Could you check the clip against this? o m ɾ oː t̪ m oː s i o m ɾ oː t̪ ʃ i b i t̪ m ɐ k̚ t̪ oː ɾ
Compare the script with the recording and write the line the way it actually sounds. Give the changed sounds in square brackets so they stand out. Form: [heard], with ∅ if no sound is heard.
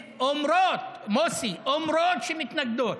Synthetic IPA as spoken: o m ɾ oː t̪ m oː s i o m ɾ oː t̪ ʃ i [m] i t̪ [n] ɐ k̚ [d̪] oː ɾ